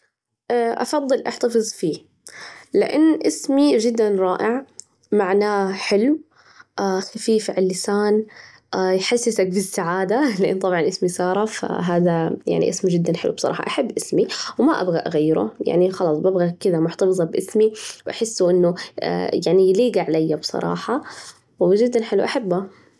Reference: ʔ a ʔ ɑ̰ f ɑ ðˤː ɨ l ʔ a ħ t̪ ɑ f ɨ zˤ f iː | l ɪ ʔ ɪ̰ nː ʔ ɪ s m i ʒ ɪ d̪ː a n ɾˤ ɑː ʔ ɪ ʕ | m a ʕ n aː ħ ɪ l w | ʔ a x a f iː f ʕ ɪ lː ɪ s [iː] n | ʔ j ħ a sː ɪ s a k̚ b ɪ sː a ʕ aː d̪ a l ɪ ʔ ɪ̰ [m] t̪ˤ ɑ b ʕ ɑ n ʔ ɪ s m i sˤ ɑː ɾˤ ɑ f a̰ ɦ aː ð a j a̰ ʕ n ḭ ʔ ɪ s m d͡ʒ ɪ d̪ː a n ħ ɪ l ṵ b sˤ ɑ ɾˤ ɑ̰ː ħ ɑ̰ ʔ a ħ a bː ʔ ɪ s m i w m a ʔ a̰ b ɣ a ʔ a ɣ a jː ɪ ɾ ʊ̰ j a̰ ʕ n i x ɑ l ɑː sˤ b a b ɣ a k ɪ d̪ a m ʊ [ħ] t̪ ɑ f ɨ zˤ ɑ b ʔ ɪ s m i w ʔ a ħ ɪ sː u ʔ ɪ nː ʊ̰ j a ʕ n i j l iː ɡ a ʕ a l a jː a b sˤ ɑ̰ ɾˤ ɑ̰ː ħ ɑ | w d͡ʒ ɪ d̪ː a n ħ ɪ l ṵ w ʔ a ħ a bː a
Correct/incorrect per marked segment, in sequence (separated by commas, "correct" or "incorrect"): incorrect, incorrect, correct